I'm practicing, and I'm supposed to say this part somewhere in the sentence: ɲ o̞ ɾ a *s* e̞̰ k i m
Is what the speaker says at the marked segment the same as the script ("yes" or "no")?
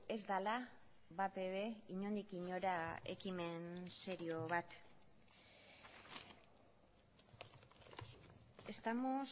no